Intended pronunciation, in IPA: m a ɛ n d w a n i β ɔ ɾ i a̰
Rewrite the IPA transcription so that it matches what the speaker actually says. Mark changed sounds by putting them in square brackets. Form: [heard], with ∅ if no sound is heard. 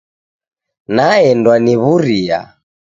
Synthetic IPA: [n] a ɛ n d w a n i β [u] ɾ i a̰